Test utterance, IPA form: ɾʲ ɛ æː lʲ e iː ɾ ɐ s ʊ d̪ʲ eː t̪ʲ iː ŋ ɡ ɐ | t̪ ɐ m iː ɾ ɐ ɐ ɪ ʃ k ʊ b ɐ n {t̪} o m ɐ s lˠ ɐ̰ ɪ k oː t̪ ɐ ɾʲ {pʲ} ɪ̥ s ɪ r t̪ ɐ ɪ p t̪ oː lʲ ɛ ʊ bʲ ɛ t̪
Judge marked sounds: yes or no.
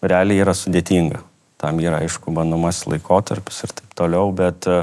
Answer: no, yes

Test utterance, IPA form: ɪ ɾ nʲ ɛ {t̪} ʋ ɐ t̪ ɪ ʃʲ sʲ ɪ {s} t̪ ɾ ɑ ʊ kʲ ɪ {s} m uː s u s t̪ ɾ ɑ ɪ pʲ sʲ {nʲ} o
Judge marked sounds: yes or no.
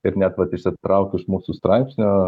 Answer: yes, no, no, yes

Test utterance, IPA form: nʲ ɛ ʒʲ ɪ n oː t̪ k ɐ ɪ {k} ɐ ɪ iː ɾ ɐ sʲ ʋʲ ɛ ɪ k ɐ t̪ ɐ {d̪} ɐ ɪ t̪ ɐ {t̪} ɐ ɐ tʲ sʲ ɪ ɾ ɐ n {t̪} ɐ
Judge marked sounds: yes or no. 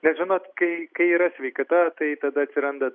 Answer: yes, no, no, no

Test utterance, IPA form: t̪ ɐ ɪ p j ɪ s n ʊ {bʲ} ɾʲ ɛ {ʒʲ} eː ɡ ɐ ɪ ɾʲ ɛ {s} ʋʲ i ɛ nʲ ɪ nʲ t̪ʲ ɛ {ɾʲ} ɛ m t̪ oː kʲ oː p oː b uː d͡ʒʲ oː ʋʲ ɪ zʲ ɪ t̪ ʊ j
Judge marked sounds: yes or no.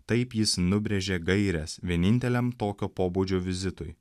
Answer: yes, yes, yes, no

